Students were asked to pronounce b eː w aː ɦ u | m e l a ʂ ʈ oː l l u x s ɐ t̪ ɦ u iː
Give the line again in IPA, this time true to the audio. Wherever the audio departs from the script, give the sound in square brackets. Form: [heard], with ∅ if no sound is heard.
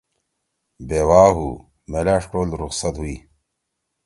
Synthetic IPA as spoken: b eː w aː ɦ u | m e l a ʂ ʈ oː l [ɾ] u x s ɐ t̪ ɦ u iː